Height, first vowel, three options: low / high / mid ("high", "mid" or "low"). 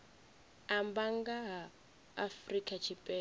low